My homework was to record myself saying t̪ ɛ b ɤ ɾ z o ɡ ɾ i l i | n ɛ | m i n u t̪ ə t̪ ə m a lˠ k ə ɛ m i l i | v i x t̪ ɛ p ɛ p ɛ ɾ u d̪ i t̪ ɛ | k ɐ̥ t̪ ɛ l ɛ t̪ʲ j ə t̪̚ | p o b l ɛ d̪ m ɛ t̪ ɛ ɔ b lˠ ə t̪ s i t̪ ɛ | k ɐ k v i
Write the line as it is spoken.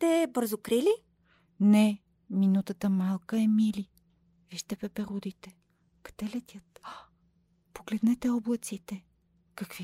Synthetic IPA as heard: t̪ ɛ b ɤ ɾ z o k ɾ i l i | n ɛ | m i n u t̪ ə t̪ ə m a lˠ k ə ɛ m i l i | v i ʃ t̪ ɛ p ɛ p ɛ ɾ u d̪ i t̪ ɛ | k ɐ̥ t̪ ɛ l ɛ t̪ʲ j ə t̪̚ | p o ɡ l ɛ d̪ n ɛ t̪ ɛ ɔ b lˠ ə t̪ s i t̪ ɛ | k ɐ k v i